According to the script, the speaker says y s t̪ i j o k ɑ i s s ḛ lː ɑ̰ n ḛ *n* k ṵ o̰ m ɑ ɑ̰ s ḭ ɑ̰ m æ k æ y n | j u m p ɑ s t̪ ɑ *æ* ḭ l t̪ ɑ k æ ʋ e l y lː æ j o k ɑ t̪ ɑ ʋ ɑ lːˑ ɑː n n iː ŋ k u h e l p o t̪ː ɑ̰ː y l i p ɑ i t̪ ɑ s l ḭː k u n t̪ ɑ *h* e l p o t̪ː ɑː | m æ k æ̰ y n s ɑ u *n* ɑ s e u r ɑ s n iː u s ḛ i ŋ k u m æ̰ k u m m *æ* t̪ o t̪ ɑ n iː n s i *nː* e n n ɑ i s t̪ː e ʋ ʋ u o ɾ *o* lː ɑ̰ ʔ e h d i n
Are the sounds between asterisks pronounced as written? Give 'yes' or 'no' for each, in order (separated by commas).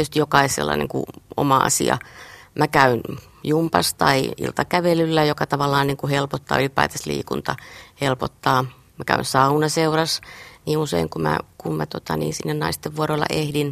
no, no, yes, yes, yes, yes, yes